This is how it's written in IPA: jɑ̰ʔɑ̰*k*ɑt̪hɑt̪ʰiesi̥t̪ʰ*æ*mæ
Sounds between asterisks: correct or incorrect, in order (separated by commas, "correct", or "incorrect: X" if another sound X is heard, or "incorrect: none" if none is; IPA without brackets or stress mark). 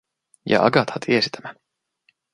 incorrect: ɡ, correct